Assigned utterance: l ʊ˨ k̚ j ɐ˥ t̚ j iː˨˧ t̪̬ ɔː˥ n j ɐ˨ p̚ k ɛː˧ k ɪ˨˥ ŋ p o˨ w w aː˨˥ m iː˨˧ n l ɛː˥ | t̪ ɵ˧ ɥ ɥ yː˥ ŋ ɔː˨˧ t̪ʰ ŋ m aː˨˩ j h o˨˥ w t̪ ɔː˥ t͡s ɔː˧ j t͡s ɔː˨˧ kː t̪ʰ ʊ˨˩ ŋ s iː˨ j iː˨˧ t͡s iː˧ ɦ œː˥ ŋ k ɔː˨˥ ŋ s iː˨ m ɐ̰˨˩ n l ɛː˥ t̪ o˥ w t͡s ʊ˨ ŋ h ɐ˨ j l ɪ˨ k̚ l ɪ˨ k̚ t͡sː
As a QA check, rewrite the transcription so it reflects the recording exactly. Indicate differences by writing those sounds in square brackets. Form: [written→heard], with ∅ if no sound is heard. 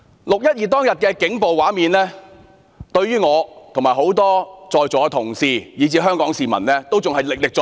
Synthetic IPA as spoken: l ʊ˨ k̚ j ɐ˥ t̚ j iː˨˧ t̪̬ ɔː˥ [n→ŋ] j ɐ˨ [p̚→t̚] k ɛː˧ k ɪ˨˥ ŋ p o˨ w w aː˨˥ m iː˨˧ n l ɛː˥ | t̪ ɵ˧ ɥ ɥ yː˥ ŋ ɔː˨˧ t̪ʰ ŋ m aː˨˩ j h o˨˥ w t̪ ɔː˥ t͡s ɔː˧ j t͡s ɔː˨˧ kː t̪ʰ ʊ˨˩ ŋ s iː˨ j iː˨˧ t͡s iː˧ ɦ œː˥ ŋ k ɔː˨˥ ŋ s iː˨ m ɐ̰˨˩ n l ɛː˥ t̪ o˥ w t͡s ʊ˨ ŋ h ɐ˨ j l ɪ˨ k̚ l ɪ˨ k̚ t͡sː